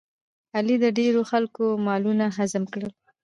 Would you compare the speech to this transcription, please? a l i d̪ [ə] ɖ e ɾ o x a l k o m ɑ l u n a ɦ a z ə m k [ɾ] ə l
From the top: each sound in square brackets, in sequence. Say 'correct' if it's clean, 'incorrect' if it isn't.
correct, incorrect

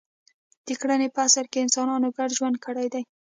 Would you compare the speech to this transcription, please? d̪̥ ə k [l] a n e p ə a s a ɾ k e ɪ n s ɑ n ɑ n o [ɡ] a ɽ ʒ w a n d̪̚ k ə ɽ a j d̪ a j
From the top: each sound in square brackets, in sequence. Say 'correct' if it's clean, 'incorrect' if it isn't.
incorrect, correct

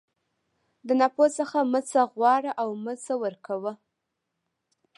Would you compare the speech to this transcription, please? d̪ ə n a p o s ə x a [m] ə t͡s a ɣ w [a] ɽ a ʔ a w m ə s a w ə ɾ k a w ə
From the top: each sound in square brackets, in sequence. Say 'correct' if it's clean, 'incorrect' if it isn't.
correct, incorrect

